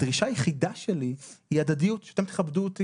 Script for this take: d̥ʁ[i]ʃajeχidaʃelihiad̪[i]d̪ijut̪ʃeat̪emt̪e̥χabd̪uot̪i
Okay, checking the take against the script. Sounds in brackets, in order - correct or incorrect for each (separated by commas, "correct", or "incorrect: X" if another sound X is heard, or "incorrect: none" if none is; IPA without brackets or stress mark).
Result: correct, incorrect: a